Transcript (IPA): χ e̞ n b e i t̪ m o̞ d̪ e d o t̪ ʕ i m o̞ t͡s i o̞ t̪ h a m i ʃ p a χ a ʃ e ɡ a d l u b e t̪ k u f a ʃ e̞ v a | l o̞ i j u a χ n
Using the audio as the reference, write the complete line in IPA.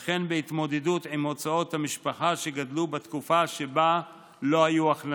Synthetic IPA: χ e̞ n b e i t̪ m o̞ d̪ e d u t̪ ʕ i m o̞ t͡s a o̞ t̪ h a m i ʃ p a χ a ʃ e ɡ a d l u b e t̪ k u f a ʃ e̞ b a | l o̞ a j u a χ n